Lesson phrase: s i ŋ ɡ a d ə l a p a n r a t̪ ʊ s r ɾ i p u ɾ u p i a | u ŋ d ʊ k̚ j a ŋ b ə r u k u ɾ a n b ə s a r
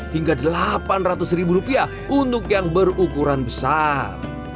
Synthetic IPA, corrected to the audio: h i ŋ ɡ a d ə l a p a n r a t̪ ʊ s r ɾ i b u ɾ u p i a | u n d ʊ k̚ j a ŋ b ə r u k u ɾ a n b ə s a r